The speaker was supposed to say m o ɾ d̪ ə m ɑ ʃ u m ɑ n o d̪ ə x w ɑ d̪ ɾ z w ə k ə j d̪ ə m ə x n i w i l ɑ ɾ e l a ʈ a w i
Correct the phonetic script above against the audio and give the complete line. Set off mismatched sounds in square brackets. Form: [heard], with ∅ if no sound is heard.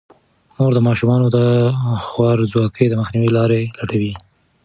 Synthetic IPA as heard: m o ɾ d̪ ə m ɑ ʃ u m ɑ n o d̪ ə x w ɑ [∅] ɾ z w [ɑ] k ə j d̪ ə m ə x n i w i l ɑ ɾ e l a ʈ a w i